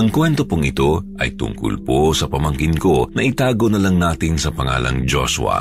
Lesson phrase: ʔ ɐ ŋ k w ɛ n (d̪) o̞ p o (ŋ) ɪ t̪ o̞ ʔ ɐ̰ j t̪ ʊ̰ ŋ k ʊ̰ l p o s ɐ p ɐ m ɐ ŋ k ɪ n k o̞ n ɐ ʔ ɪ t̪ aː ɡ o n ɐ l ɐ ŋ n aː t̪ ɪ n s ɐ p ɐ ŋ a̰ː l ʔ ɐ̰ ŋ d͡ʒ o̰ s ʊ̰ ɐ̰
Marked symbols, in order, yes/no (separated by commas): no, yes